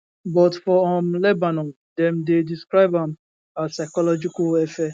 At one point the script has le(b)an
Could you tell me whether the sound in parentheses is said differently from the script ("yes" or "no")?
no